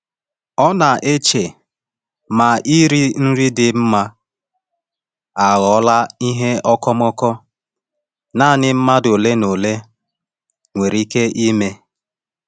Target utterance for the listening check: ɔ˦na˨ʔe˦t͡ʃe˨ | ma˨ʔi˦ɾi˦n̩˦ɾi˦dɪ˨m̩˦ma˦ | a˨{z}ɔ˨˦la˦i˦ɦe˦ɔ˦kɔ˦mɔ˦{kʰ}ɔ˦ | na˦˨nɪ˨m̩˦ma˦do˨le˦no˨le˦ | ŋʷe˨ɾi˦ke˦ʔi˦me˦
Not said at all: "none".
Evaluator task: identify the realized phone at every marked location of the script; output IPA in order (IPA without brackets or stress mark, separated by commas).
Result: ɣ, k